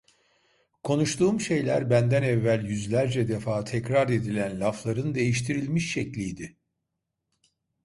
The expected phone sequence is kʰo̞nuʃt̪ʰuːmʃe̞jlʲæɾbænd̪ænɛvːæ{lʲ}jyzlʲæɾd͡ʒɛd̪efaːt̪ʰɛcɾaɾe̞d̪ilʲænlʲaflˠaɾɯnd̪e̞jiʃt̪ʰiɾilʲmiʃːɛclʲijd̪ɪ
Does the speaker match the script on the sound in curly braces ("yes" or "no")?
yes